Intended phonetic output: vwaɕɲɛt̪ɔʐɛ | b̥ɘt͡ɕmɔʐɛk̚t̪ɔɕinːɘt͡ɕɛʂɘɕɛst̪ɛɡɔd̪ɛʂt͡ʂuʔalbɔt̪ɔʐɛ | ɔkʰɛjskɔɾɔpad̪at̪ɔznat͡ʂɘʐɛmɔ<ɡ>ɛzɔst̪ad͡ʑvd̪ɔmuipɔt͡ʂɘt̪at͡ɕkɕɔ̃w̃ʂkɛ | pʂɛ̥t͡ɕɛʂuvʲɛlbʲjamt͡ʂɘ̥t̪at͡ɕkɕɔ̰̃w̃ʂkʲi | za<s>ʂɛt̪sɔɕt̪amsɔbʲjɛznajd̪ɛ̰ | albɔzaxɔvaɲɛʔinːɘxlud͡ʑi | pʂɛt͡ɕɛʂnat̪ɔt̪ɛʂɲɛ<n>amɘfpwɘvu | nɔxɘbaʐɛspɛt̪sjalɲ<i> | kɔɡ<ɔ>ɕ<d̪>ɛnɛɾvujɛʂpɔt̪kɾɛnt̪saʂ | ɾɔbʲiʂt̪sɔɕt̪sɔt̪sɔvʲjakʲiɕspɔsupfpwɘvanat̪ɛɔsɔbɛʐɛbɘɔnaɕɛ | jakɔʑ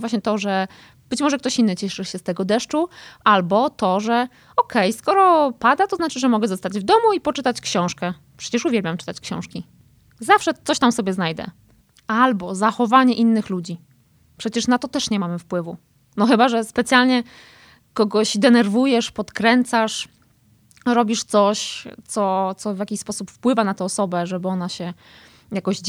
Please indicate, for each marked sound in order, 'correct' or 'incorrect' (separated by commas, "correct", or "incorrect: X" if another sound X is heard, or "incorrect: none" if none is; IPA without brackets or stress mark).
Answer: correct, incorrect: f, incorrect: m, incorrect: ɛ, correct, correct